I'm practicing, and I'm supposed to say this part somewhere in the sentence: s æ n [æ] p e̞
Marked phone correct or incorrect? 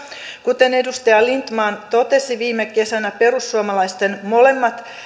correct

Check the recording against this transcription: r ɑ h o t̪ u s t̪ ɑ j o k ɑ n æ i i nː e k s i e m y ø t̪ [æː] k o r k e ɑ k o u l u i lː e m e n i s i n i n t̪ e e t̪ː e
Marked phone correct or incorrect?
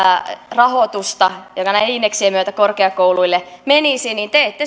incorrect: æ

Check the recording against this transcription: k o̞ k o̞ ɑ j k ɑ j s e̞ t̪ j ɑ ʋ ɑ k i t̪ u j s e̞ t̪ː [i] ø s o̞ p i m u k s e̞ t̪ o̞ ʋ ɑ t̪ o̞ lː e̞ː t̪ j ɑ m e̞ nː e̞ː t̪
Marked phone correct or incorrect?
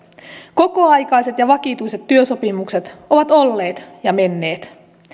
incorrect: y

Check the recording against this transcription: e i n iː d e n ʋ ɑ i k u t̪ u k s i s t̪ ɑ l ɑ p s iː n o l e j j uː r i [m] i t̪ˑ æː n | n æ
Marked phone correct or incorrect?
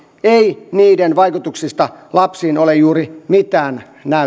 correct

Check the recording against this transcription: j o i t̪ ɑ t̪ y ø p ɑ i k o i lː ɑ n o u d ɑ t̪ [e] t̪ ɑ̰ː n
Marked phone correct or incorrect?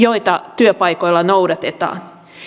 correct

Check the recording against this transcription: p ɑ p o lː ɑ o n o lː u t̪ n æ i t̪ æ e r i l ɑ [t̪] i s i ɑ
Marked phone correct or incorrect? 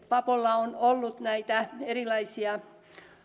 incorrect: none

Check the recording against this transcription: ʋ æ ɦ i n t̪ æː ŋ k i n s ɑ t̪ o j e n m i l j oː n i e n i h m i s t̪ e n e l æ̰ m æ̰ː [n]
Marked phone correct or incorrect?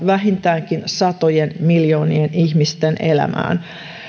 correct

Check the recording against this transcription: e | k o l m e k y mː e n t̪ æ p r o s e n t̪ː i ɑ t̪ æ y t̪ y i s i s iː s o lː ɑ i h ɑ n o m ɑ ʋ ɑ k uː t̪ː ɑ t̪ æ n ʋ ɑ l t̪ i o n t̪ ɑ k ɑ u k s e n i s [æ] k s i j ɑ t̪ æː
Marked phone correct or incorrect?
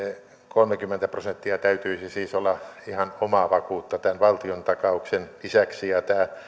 correct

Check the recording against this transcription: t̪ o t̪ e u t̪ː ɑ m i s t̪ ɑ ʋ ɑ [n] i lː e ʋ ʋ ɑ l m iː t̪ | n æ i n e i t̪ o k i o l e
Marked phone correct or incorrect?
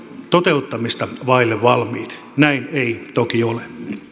incorrect: none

